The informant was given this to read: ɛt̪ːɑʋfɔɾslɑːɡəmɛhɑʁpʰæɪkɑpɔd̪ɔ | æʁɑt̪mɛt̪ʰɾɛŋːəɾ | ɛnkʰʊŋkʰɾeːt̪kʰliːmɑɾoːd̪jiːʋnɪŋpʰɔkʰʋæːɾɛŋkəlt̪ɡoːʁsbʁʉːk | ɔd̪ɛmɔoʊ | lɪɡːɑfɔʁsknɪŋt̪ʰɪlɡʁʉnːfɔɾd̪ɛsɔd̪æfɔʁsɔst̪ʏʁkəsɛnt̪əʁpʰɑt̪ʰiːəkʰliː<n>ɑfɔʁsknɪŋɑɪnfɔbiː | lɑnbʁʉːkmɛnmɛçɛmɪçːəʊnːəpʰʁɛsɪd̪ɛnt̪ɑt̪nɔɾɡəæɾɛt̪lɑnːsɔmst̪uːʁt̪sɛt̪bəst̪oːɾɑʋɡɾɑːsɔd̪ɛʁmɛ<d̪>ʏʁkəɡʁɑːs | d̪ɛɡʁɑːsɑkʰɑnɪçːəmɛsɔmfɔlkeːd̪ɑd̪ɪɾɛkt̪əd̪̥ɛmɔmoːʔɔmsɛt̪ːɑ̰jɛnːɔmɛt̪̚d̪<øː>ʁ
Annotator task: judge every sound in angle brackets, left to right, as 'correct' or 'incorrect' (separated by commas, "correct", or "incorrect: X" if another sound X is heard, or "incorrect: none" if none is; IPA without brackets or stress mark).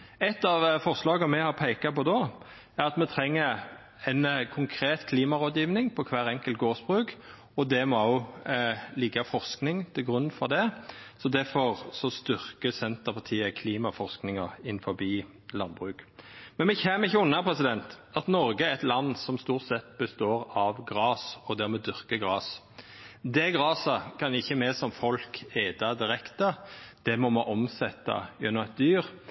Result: incorrect: m, correct, incorrect: yː